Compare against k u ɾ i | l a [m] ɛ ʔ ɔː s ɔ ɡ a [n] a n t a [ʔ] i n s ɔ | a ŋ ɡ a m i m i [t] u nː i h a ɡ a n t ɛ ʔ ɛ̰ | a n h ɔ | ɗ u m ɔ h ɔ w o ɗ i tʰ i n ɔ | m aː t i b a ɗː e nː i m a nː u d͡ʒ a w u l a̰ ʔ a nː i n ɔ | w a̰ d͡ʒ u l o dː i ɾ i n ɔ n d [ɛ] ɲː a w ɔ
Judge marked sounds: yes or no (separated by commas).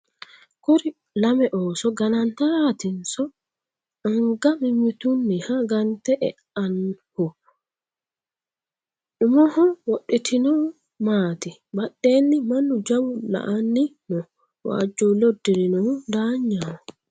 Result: yes, yes, no, yes, no